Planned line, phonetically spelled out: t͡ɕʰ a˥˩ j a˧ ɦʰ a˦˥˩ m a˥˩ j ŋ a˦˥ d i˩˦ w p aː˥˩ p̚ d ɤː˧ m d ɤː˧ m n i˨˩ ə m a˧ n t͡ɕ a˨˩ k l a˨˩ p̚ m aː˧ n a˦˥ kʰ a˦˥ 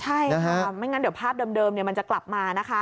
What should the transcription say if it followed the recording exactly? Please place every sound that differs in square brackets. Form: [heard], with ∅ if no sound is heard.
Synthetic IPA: t͡ɕʰ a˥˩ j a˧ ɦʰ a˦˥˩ m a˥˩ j ŋ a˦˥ d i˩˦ w [pʰ] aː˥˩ p̚ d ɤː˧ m d ɤː˧ m n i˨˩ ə m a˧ n t͡ɕ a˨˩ k l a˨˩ p̚ m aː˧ n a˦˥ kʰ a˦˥